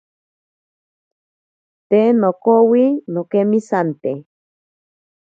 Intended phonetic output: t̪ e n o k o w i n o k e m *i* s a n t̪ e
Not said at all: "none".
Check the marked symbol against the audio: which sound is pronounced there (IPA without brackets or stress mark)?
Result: i